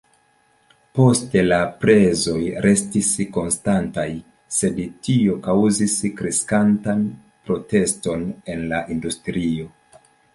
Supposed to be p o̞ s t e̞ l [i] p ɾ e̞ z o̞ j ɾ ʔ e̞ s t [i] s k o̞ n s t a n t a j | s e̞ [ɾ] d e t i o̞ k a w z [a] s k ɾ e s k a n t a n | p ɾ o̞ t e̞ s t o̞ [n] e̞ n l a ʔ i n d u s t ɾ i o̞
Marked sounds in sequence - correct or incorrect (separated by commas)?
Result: incorrect, correct, incorrect, incorrect, correct